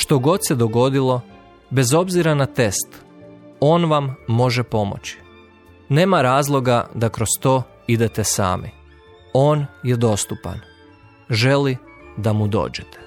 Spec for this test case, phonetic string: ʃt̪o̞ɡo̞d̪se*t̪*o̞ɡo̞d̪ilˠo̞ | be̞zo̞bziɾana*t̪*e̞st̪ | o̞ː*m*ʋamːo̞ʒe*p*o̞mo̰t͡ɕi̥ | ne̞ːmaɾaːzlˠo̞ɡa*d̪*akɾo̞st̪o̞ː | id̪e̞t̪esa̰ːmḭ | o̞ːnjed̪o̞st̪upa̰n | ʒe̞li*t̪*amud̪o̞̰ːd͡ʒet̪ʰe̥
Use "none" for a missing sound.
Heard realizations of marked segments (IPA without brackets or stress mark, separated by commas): d̪, t̪, n, p, d̪, d̪